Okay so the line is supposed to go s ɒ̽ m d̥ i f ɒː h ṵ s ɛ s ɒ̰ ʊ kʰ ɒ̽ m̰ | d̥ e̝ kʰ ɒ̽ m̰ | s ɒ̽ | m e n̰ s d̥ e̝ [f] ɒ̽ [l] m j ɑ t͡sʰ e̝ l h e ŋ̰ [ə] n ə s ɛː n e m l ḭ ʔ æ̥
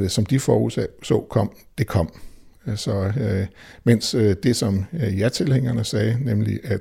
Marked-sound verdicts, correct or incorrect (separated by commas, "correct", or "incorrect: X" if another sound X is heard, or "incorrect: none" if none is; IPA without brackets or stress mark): incorrect: s, incorrect: none, incorrect: ɐ